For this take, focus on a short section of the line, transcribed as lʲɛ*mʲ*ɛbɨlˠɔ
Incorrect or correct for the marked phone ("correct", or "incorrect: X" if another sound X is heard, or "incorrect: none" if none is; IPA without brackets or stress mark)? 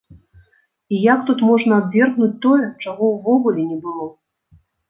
incorrect: nʲ